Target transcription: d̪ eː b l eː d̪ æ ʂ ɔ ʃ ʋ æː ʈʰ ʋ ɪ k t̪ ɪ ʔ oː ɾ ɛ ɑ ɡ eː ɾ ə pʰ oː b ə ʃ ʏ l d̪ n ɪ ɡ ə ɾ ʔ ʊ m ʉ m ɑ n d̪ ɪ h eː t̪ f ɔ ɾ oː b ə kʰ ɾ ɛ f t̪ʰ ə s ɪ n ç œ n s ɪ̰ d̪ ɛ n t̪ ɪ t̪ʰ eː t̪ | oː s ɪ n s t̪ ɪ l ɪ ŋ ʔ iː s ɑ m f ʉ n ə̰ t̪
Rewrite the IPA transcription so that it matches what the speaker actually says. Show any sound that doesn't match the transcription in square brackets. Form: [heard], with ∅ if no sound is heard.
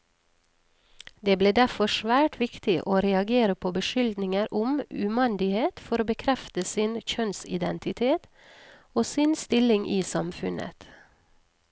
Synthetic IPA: d̪ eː b l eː d̪ æ [f] ɔ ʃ ʋ æː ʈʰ ʋ ɪ k t̪ ɪ ʔ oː ɾ ɛ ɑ ɡ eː ɾ ə pʰ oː b ə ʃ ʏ l d̪ n ɪ [ŋ] ə ɾ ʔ ʊ m ʉ m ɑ n d̪ ɪ h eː t̪ f ɔ ɾ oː b ə kʰ ɾ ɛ f [t̪] ə s ɪ n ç œ n s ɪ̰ d̪ ɛ n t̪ ɪ t̪ʰ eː t̪ | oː s ɪ n s t̪ ɪ l ɪ ŋ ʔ iː s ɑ m f ʉ n ə̰ t̪